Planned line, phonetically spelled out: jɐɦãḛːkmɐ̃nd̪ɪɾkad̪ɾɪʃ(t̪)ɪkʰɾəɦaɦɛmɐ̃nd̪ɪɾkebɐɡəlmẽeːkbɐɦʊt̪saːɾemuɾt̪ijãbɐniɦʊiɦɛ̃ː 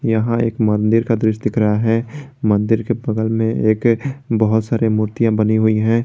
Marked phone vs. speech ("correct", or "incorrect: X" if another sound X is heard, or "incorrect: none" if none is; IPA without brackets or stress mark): incorrect: d̪